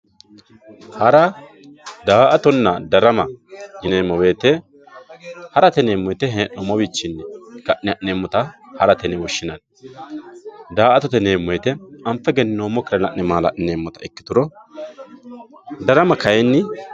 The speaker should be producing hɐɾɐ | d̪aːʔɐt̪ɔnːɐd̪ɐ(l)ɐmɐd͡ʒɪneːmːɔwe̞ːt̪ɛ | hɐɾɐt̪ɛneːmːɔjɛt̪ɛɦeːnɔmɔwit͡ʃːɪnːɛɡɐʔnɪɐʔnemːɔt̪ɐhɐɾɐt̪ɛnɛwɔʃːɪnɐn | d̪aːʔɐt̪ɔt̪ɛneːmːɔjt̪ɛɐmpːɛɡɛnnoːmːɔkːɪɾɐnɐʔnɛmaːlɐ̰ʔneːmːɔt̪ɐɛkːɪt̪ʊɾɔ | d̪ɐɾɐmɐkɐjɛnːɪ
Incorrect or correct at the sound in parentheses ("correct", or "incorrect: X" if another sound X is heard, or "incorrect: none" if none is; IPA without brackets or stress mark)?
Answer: incorrect: ɾ